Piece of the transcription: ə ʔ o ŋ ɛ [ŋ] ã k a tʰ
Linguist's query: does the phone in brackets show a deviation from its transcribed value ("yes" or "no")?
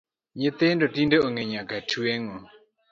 yes